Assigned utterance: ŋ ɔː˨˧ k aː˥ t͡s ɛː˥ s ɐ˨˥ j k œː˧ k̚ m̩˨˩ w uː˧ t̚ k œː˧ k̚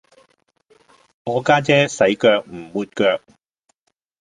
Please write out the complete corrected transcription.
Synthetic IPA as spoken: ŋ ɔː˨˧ k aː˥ t͡s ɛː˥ s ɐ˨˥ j k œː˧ k̚ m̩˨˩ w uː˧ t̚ k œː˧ k̚